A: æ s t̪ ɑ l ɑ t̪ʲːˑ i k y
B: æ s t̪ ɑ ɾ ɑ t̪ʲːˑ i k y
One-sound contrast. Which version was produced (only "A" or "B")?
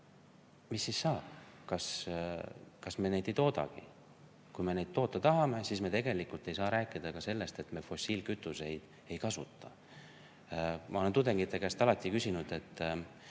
A